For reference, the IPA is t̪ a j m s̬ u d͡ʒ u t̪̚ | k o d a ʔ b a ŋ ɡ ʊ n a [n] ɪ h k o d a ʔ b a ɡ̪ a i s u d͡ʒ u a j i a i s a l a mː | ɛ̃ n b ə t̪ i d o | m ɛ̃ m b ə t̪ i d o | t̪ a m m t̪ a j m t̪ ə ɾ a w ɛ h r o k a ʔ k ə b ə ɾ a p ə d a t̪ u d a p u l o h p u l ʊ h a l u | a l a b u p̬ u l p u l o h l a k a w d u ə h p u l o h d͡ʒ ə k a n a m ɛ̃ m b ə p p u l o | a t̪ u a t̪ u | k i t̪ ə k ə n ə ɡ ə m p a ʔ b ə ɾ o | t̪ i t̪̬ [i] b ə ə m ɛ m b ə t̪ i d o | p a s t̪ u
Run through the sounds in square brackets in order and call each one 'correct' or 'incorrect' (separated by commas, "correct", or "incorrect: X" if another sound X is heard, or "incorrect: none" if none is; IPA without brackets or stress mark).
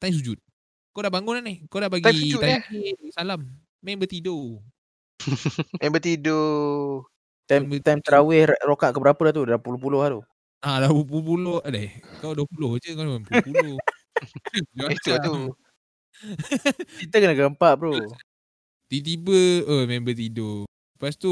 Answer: correct, correct